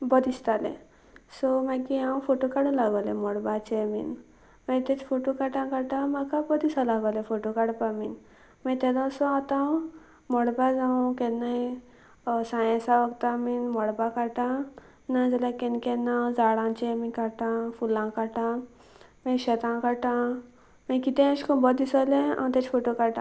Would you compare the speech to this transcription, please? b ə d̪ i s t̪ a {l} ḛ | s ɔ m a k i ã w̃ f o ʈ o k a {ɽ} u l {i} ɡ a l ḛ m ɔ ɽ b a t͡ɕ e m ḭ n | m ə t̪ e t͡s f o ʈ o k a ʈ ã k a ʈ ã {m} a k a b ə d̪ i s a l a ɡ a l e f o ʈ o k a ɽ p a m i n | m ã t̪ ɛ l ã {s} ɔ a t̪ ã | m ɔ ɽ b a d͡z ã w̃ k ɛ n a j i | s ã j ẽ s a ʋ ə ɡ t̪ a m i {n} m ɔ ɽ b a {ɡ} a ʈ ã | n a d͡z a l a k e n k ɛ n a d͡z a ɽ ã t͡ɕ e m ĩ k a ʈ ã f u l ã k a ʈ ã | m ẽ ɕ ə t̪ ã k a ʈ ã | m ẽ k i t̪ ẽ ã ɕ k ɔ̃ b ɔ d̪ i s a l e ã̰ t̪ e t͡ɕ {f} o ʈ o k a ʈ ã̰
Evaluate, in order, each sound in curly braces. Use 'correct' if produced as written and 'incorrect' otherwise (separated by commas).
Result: correct, correct, incorrect, correct, correct, correct, incorrect, correct